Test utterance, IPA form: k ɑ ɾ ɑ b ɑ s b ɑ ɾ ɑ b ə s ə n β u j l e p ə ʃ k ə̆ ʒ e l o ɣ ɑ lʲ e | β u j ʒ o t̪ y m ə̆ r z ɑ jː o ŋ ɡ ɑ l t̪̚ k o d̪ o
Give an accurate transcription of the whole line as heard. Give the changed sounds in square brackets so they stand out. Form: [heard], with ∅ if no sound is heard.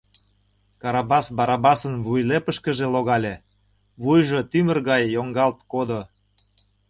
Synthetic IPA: k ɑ ɾ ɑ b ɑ s b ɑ ɾ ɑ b [ɑ] s ə n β u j l e p ə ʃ k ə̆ ʒ e l o ɣ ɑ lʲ e | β u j ʒ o t̪ y m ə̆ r [ɣ] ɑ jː o ŋ ɡ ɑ l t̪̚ k o d̪ o